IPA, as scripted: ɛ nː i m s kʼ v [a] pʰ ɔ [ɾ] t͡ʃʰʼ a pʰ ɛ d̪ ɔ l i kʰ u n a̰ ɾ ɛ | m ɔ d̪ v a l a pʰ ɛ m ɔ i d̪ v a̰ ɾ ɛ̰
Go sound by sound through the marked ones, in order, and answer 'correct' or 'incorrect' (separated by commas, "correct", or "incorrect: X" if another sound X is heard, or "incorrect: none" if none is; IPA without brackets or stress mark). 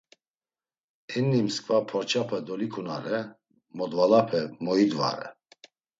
correct, correct